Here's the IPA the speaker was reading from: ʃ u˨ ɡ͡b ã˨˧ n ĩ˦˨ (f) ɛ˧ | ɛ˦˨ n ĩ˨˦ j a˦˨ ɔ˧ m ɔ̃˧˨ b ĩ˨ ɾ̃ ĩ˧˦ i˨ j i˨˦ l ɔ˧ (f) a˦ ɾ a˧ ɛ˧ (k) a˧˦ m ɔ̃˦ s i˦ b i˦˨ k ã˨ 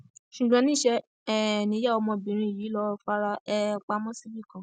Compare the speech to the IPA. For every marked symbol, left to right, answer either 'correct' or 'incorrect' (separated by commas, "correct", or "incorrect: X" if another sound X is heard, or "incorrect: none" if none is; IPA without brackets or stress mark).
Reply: incorrect: ʃ, correct, incorrect: k͡p